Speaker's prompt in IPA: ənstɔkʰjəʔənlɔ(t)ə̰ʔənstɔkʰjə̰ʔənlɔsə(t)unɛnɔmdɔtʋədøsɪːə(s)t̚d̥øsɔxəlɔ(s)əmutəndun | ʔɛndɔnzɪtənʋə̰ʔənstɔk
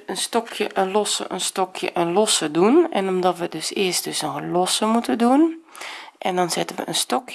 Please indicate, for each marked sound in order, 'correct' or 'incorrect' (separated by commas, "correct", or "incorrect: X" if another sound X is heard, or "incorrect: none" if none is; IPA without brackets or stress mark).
incorrect: s, incorrect: d, correct, correct